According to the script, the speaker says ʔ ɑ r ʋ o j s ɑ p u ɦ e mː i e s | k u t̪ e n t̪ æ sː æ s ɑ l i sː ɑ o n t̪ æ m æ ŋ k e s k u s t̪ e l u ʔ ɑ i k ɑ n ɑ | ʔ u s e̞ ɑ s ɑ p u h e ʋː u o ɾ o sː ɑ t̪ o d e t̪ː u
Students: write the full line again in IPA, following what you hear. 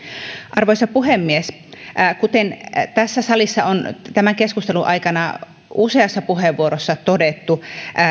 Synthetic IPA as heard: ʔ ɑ r ʋ o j s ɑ p u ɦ e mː i e s | k u t̪ e n t̪ æ sː æ s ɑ l i sː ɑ o n t̪ æ m æ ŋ k e s k u s t̪ e l u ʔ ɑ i k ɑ n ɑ | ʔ u s e̞ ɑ sː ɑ p u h e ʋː u o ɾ o sː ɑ t̪ o d e t̪ː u